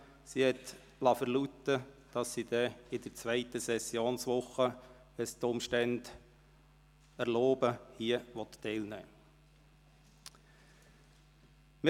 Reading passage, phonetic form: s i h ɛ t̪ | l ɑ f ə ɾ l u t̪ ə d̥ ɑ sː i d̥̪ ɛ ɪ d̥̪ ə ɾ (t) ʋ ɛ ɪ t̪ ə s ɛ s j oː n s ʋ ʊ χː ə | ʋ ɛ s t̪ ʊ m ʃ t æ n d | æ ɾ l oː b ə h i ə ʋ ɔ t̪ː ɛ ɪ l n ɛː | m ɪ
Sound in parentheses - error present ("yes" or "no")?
yes